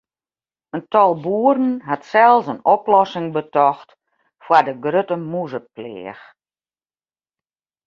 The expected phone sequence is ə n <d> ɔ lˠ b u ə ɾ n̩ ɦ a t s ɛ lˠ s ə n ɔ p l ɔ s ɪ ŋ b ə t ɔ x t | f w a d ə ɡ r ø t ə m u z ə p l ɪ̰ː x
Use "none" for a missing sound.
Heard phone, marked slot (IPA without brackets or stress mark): t